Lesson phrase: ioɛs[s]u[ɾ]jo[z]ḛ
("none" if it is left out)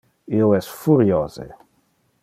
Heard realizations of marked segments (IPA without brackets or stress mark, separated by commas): f, ɾ, z